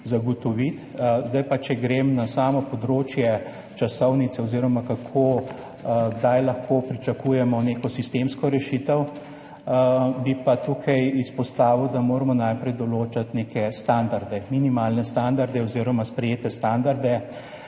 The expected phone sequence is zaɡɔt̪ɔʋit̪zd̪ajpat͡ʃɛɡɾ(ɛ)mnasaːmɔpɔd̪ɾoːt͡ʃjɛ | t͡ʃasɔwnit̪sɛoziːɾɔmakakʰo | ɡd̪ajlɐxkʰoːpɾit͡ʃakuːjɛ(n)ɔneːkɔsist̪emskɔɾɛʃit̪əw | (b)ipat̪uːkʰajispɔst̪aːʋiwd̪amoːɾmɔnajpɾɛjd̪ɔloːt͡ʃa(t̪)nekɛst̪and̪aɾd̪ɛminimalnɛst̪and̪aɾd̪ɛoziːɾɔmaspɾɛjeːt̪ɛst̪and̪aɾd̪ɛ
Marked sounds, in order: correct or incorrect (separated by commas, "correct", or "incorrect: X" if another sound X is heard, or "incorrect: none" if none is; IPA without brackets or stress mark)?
incorrect: e, incorrect: m, correct, correct